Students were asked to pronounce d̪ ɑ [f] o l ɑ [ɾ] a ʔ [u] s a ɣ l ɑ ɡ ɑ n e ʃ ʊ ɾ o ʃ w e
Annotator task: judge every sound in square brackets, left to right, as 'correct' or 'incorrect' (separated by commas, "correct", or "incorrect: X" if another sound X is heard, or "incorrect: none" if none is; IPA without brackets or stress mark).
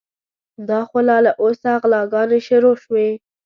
incorrect: x, incorrect: l, incorrect: o